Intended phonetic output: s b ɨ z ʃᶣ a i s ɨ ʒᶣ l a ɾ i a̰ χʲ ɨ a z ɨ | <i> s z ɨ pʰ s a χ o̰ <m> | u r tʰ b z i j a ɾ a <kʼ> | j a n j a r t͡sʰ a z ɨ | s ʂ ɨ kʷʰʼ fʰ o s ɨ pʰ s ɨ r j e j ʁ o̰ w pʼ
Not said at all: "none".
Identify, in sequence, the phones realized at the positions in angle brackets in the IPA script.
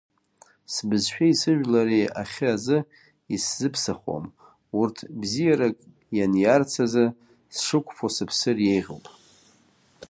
i, m, kʼ

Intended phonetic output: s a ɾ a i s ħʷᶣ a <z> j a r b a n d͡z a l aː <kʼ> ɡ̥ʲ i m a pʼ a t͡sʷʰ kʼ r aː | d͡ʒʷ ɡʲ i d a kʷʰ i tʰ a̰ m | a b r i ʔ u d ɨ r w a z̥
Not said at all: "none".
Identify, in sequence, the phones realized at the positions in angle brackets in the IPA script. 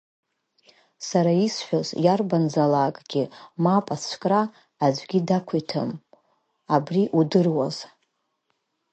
z, kʼ

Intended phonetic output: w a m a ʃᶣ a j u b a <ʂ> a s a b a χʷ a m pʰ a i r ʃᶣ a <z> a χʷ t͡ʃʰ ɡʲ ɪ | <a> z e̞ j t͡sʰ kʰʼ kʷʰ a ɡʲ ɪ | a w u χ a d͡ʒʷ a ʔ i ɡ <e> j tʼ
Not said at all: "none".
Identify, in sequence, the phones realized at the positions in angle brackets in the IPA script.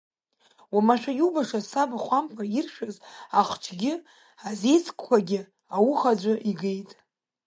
ʂ, z, a, e

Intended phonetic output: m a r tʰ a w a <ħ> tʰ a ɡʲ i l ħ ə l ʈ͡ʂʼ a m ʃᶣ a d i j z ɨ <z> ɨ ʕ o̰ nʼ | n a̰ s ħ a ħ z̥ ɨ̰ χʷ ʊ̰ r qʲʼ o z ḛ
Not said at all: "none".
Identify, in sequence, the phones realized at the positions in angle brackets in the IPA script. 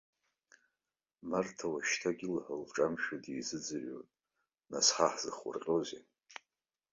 ʃ, d͡z

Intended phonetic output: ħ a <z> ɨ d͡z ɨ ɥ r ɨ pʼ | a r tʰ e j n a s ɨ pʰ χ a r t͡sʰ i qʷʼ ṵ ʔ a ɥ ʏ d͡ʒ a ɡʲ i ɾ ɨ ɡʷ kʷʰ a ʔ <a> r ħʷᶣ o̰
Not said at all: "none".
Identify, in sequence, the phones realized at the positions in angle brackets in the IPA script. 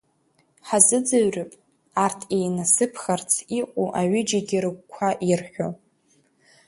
z, i

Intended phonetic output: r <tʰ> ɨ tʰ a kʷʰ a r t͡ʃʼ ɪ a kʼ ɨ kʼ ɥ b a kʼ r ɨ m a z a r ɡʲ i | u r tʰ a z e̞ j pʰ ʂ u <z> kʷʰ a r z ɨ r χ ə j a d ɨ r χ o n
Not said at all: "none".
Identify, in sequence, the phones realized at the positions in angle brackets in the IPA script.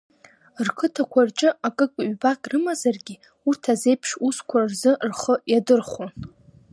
kʰ, s

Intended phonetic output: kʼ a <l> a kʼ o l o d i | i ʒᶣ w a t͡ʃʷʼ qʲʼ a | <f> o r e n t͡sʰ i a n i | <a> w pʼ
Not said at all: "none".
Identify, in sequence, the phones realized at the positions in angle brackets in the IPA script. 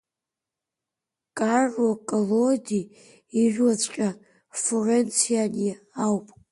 r, f, a

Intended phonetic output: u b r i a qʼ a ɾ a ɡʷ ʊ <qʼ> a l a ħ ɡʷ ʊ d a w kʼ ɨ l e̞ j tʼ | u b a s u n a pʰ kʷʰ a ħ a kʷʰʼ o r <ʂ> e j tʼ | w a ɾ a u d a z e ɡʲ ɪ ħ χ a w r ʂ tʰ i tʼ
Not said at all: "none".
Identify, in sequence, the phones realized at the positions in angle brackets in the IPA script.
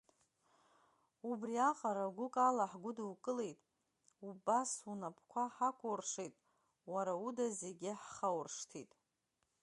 kʼ, ʂ

